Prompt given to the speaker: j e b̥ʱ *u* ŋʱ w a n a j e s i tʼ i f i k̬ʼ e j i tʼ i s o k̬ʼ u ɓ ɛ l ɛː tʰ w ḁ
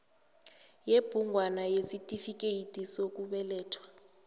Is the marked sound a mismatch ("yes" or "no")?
no